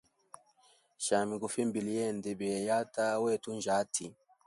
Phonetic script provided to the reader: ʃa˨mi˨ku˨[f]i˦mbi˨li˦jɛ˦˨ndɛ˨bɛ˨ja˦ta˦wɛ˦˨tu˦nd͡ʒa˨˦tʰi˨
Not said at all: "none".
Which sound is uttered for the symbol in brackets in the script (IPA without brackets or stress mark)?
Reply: f